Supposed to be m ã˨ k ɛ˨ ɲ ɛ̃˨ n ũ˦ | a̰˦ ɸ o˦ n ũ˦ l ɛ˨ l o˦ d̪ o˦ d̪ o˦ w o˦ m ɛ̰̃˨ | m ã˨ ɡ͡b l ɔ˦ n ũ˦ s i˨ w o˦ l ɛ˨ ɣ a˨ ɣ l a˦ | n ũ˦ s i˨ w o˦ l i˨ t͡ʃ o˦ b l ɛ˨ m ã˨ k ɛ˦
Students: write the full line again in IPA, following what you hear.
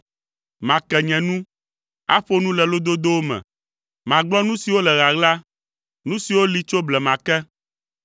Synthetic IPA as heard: m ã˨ k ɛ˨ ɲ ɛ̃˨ n ũ˦ | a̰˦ ɸ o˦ n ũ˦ l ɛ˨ l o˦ d̪ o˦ d̪ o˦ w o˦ m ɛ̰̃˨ | m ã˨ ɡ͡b l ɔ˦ n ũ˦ s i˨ w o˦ l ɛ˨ ɣ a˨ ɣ l a˦ | n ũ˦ s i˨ w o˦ l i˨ t͡ʃ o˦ b l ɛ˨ m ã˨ k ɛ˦